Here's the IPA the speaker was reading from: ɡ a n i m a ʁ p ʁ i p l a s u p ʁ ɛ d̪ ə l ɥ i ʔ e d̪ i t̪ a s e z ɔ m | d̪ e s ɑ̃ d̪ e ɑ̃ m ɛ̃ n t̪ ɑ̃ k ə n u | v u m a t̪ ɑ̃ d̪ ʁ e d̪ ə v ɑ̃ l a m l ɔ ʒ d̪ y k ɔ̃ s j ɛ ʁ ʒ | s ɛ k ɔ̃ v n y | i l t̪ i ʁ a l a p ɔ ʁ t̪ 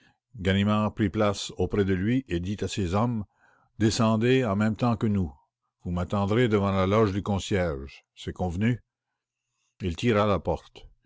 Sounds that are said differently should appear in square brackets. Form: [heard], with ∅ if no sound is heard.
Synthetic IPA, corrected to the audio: ɡ a n i m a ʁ p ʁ i p l a s [o] p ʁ ɛ d̪ ə l ɥ i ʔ e d̪ i t̪ a s e z ɔ m | d̪ e s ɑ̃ d̪ e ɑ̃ m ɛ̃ [m] t̪ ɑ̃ k ə n u | v u m a t̪ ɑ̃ d̪ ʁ e d̪ ə v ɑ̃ l a [∅] l ɔ ʒ d̪ y k ɔ̃ s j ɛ ʁ ʒ | s ɛ k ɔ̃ v n y | i l t̪ i ʁ a l a p ɔ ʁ t̪